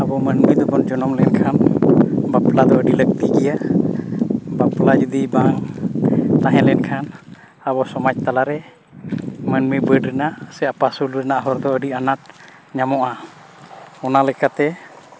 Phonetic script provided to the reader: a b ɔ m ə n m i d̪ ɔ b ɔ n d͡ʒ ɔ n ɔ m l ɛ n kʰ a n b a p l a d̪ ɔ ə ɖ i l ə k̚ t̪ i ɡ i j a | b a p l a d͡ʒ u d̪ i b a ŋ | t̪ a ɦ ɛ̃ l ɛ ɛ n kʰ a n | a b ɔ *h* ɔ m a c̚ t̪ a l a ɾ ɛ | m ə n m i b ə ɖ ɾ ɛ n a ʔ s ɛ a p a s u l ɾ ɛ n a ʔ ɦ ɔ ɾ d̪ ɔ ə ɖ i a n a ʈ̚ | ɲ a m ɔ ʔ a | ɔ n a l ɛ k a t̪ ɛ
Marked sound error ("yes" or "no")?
yes